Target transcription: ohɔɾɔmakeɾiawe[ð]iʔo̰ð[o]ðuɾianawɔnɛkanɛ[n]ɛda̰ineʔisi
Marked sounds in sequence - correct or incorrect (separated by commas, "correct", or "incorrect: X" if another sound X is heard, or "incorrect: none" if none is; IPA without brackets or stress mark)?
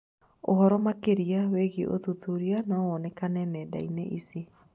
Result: incorrect: ɣ, incorrect: u, correct